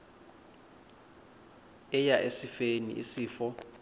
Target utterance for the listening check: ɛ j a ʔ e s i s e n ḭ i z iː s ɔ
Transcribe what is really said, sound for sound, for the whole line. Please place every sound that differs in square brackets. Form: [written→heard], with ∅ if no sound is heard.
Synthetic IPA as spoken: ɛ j a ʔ e s i [s→f] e n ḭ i [z→s] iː [s→f] ɔ